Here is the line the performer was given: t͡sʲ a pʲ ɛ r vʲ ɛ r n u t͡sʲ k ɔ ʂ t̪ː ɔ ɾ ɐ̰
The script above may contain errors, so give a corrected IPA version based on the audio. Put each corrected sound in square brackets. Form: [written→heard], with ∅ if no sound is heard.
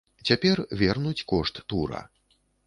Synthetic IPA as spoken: t͡sʲ a pʲ ɛ r vʲ ɛ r n u t͡sʲ k ɔ ʂ t̪ː [ɔ→u] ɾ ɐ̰